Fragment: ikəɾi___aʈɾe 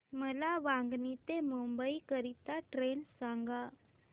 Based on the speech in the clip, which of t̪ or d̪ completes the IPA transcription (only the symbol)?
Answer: t̪